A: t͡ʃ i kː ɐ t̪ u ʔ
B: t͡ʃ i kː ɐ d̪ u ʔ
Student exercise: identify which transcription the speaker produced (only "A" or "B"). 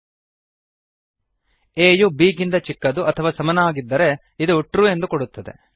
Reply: B